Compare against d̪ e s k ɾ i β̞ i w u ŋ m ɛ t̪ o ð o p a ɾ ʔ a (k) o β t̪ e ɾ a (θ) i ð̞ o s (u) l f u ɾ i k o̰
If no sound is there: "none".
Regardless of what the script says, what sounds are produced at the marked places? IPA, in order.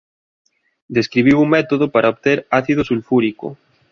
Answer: none, θ, u

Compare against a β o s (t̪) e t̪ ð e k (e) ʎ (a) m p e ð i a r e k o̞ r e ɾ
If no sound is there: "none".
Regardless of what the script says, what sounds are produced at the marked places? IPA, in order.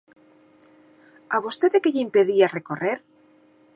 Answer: t̪, e, i

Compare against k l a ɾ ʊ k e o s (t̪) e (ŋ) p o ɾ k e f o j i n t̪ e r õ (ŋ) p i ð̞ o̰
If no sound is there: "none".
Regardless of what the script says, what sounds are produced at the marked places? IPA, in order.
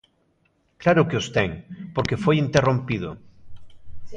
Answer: t̪, ŋ, m

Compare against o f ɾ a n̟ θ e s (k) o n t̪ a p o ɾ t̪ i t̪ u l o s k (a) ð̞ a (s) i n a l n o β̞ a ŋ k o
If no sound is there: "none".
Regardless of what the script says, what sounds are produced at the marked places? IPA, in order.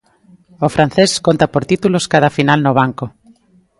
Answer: k, a, f

